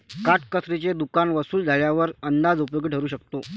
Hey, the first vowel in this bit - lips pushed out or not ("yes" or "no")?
no